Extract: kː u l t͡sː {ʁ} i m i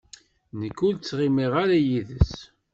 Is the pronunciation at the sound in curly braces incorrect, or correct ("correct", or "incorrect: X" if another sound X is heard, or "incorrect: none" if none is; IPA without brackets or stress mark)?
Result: correct